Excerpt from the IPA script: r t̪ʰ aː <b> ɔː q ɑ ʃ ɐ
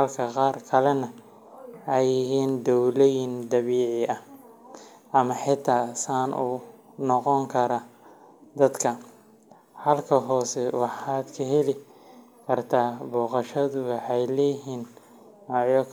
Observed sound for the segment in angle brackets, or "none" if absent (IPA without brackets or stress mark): b